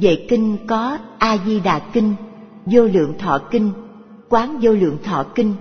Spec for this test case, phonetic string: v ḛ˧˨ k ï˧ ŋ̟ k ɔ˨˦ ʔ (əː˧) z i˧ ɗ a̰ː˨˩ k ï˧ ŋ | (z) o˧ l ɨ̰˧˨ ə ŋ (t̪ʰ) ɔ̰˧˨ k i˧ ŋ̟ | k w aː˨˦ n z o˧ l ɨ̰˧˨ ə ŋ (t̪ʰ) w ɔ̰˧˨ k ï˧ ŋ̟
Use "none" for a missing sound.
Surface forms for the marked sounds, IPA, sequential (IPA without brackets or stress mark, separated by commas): aː˧, z, t̪ʰ, t̪ʰ